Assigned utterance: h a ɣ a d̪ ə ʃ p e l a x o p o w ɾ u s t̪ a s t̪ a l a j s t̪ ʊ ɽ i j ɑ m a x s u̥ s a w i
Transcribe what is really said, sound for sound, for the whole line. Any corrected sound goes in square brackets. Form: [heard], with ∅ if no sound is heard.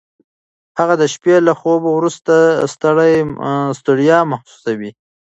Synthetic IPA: h a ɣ a d̪ ə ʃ p e l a x o [b] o w ɾ u s t̪ a s t̪ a [ɽ] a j s t̪ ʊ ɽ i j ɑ m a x s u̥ s a w i

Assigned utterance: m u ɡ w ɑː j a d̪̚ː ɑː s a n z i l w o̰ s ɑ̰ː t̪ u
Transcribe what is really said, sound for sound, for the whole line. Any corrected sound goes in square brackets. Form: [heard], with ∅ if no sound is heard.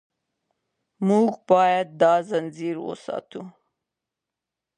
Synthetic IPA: m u ɡ [b] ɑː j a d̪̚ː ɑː [z] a n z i [ɾ] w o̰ s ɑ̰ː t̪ u

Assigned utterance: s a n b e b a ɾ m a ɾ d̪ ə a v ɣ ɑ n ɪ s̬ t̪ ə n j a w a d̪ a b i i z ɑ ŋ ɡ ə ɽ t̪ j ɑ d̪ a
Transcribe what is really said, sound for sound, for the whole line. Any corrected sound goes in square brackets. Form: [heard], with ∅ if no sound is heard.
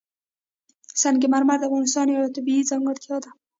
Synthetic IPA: s a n [ɡ] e [m] a ɾ m a ɾ d̪ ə a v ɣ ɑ n ɪ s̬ t̪ [ɑ] n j a w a [t̪] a b i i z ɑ ŋ ɡ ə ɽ t̪ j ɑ d̪ a

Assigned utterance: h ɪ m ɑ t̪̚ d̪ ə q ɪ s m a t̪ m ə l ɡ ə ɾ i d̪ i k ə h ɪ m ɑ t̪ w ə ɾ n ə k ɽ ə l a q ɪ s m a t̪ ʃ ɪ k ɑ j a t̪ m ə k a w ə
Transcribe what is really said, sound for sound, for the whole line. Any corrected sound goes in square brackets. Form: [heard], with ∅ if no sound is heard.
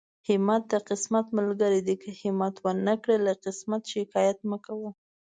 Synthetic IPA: h ɪ m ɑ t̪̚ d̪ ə q ɪ s m a t̪ m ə l ɡ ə ɾ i d̪ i k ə h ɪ m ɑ t̪ w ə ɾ n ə k ɽ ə l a q ɪ s m a t̪ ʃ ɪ k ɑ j a t̪ m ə k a w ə

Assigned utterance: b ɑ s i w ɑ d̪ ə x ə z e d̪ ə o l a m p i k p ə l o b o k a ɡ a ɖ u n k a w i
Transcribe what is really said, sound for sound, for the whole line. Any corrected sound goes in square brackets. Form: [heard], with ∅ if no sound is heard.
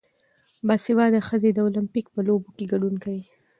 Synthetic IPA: b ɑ s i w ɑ d̪ ə x ə z e d̪ ə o l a m p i k p ə l o b o k [e] ɡ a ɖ u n k a w i

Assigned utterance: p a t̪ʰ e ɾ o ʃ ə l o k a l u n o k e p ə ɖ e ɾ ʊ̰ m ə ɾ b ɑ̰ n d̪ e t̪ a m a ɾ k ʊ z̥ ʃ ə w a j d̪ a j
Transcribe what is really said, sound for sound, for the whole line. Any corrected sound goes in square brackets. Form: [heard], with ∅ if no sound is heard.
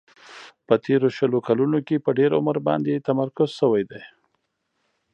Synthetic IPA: p [ə] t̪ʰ e ɾ o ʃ ə l o k a l u n o k e p ə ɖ e ɾ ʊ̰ m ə ɾ b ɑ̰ n d̪ e t̪ a m a ɾ k ʊ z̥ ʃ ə w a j d̪ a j

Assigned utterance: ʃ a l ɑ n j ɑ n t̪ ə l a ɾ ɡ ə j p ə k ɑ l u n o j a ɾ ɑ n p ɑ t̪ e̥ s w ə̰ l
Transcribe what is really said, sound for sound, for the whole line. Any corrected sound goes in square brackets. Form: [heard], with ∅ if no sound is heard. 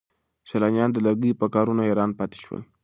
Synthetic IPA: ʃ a l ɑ n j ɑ n [d̪] ə l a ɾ ɡ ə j p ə k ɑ [ɾ] u n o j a ɾ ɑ n p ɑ t̪ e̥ [ʃ] w ə̰ l

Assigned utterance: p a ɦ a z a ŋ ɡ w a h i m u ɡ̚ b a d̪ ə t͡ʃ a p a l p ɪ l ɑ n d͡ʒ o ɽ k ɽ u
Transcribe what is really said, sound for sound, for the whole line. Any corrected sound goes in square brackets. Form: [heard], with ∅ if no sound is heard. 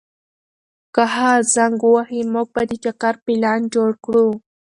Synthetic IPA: [k] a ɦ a z a ŋ ɡ w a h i m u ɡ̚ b a d̪ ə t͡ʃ a [k] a [ɾ] p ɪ l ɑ n d͡ʒ o ɽ k ɽ u

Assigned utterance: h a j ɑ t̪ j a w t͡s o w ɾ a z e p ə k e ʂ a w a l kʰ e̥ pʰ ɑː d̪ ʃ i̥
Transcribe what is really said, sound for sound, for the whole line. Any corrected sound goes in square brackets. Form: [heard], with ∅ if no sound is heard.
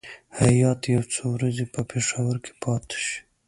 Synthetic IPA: h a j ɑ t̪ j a w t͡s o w ɾ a z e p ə [p] e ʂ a w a [ɾ] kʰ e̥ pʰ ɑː [t̪] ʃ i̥

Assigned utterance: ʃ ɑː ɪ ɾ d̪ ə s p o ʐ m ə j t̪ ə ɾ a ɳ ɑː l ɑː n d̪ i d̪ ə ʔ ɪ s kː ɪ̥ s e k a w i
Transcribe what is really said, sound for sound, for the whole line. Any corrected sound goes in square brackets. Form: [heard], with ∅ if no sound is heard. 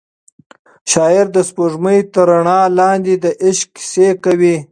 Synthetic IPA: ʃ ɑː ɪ ɾ d̪ ə s p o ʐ m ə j t̪ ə ɾ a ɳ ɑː l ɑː n d̪ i d̪ ə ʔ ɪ [ʃ] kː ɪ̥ s e k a w i

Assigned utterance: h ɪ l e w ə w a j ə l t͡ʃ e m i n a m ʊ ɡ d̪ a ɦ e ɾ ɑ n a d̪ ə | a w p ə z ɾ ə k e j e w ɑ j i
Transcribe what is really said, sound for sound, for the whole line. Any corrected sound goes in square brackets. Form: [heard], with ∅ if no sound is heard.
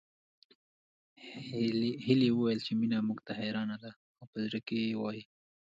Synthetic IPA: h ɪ l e w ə w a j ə l t͡ʃ e m i n a m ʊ ɡ [t̪] a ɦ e ɾ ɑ n a d̪ [a] | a w p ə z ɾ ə k e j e w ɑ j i

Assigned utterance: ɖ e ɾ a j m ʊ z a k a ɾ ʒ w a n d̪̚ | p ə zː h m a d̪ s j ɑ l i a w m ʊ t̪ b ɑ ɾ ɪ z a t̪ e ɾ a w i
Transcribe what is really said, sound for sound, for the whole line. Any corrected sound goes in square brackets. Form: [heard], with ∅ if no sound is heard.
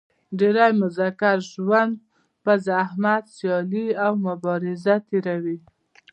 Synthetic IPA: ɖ e ɾ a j m ʊ z a k a ɾ ʒ w a n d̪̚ | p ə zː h m a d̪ s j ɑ l i a w m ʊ [∅] b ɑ ɾ ɪ z a t̪ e ɾ a w i

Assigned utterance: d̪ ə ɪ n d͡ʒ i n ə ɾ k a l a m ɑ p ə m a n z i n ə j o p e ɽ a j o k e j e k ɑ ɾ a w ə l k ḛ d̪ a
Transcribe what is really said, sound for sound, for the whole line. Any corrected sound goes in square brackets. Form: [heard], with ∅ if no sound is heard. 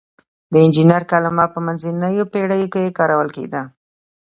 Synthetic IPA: d̪ ə ɪ n d͡ʒ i n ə ɾ k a l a m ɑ p ə m a n z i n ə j o p e ɽ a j o k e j e k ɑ ɾ a w ə l k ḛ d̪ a

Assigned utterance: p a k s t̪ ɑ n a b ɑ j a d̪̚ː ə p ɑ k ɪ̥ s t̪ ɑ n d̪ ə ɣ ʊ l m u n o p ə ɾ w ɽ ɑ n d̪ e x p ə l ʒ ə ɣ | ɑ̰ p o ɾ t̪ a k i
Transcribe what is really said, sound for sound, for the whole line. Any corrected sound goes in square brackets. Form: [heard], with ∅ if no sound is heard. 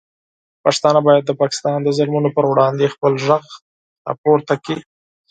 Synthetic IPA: p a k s t̪ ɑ n a b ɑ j a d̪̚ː ə p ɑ k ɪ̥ s t̪ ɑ n d̪ ə [z] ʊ l m u n o p ə ɾ w ɽ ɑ n d̪ e x p ə l ʒ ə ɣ | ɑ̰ p o ɾ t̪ a k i

